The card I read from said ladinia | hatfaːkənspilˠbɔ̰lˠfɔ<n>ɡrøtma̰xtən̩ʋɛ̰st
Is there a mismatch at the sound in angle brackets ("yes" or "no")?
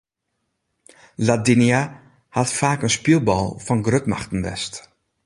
no